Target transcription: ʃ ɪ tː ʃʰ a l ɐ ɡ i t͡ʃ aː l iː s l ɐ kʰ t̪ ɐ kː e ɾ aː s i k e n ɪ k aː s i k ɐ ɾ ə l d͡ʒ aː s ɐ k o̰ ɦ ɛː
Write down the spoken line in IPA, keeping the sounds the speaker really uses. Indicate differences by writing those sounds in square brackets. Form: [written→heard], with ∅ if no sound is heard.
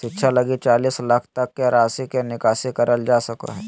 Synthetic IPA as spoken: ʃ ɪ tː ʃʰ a l ɐ ɡ i t͡ʃ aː l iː s l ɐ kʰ t̪ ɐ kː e ɾ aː s i k e n ɪ k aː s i k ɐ ɾ ə l d͡ʒ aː s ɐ k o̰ ɦ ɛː